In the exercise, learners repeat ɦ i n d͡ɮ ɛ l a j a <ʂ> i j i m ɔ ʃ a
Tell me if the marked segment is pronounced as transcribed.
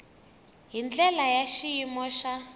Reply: no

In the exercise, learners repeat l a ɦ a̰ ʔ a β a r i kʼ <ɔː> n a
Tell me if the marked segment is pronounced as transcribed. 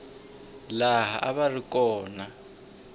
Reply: yes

